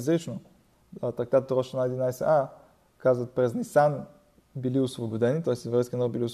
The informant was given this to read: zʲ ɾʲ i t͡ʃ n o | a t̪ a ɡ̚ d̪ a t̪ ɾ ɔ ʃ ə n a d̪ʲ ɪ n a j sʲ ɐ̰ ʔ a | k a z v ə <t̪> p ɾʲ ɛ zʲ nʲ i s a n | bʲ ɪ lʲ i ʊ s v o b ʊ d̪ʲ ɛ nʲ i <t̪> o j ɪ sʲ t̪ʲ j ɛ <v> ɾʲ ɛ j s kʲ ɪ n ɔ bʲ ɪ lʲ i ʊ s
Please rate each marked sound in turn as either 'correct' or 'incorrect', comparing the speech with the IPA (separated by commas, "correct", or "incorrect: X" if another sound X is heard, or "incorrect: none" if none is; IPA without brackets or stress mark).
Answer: correct, correct, correct